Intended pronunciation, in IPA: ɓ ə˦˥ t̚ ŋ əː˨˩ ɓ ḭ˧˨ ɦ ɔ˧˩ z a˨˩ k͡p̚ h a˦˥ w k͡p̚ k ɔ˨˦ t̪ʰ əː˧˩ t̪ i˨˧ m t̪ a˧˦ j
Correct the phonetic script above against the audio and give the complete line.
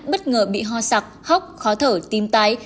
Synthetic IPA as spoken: ɓ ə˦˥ t̚ ŋ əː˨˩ ɓ ḭ˧˨ ɦ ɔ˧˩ s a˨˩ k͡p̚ h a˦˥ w k͡p̚ x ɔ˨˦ t̪ʰ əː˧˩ t̪ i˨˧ m t̪ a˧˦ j

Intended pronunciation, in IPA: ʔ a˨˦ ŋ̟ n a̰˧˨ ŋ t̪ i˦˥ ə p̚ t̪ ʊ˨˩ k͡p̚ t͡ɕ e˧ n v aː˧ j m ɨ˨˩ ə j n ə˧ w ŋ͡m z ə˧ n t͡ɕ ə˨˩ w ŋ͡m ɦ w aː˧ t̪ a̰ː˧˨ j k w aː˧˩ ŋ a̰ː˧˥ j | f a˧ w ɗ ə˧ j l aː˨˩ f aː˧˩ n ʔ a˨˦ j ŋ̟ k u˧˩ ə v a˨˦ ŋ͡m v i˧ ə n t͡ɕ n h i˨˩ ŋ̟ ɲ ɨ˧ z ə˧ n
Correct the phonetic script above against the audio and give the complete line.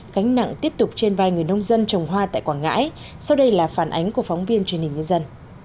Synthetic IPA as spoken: k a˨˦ ŋ̟ n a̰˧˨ ŋ t̪ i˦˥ ə p̚ t̪ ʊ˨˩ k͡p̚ t͡ɕ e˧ n v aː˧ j ŋ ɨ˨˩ ə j n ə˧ w ŋ͡m z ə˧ n t͡ɕ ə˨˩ w ŋ͡m ɦ w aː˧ t̪ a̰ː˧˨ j k w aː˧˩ ŋ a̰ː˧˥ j | s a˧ w ɗ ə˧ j l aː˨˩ f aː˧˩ n ʔ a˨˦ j ŋ̟ k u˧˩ ə f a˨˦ ŋ͡m v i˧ ə n t͡ɕ n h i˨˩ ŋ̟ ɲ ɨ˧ z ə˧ n

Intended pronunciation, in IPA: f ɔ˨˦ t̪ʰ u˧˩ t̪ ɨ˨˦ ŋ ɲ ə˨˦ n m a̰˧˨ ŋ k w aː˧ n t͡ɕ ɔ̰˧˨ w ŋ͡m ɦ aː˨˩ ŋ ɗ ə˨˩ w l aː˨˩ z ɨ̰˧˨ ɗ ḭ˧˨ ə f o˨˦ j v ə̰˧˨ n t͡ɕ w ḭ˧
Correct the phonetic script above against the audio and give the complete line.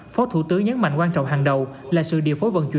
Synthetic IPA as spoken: f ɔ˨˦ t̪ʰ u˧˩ t̪ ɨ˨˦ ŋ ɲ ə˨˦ n m a̰˧˨ ŋ k w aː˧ n t͡ɕ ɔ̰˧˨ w ŋ͡m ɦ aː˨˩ ŋ ɗ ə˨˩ w l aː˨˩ s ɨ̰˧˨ ɗ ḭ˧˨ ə f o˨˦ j v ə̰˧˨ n t͡ɕ w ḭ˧

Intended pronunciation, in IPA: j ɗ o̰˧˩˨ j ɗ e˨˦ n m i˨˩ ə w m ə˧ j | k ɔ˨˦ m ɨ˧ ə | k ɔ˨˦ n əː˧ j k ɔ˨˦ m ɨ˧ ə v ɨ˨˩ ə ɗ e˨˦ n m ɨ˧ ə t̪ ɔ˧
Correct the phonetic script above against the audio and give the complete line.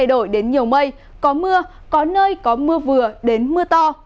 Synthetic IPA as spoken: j ɗ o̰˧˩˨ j ɗ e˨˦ n ɲ i˨˩ ə w m ə˧ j | k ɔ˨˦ m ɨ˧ ə | k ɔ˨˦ n əː˧ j k ɔ˨˦ m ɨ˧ ə v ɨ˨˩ ə ɗ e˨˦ n m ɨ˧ ə t̪ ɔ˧

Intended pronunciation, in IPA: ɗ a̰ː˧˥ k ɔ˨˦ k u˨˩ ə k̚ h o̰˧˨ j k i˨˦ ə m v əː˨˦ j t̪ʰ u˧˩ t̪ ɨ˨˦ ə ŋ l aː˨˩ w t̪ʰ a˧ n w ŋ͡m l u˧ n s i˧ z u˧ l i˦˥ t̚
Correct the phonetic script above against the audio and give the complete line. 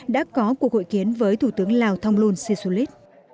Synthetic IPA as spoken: ɗ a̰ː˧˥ k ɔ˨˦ k u˨˩ ə k̚ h o̰˧˨ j k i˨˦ ə n v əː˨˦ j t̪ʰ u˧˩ t̪ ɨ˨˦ ə ŋ l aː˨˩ w t̪ʰ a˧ w ŋ͡m l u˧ n s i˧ s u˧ l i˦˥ t̚

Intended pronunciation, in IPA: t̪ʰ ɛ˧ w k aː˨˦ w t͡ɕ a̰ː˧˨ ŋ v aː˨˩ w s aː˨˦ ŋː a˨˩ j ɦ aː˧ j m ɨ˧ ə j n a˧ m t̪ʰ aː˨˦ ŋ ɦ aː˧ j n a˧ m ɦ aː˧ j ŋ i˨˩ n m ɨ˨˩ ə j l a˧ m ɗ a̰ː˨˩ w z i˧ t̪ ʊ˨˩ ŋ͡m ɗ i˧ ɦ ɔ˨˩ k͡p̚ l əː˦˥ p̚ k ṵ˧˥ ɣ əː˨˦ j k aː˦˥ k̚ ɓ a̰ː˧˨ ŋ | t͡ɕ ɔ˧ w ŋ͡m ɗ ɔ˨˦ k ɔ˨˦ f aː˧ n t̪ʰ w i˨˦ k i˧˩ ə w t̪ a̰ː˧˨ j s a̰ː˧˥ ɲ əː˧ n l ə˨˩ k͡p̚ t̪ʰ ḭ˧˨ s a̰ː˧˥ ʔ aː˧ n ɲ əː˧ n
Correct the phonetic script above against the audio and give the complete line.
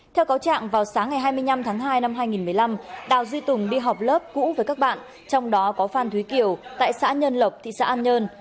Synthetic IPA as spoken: t̪ʰ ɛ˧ w k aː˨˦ w t͡ɕ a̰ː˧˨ ŋ v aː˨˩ w s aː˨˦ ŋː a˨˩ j ɦ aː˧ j m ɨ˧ ə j n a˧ m t̪ʰ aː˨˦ ŋ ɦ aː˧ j n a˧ m ɦ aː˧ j ŋ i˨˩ n m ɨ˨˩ ə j l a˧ m ɗ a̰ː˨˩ w z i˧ t̪ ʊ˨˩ ŋ͡m ɗ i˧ ɦ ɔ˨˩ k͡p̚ l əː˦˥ p̚ k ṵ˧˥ v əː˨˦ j k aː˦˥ k̚ ɓ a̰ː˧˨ n | t͡ɕ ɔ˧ w ŋ͡m ɗ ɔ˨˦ k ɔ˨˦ f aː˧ n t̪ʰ w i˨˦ k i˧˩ ə w t̪ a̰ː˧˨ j s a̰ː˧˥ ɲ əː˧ n l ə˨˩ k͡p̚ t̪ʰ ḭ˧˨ s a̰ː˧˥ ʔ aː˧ n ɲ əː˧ n

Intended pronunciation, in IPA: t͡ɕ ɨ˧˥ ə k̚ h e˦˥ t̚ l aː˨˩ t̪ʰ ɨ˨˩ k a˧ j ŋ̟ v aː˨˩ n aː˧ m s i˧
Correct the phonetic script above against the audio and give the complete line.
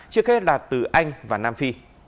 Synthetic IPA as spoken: t͡ɕ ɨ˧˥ ə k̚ h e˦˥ t̚ l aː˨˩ t̪ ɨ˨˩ ʔ a˧ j ŋ̟ v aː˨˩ n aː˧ m f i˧

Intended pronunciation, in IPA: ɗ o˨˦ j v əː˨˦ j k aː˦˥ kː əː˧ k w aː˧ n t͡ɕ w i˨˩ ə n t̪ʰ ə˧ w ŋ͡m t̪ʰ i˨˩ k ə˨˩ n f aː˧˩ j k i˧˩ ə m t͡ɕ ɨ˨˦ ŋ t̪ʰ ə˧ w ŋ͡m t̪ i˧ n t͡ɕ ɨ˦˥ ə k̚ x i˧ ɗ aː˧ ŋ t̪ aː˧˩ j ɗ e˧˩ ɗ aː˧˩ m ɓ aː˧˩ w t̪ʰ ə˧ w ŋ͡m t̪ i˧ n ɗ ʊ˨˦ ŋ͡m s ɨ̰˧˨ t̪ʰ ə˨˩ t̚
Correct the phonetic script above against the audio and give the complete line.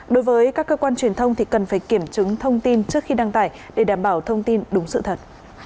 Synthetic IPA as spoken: ɗ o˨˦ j v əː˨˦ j k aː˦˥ kː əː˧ k w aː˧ n t͡ɕ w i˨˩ ə n t̪ʰ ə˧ w ŋ͡m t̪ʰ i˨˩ k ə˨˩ n f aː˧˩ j k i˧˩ ə m t͡ɕ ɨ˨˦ ŋ t̪ʰ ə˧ w ŋ͡m t̪ i˧ n t͡ɕ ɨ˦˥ ə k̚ x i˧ ɗ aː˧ ŋ t̪ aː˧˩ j ɗ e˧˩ ɗ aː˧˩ m ɓ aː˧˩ w t̪ʰ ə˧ w ŋ͡m t̪ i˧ n ɗ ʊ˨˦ ŋ͡m s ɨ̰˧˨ t̪ʰ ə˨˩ t̚

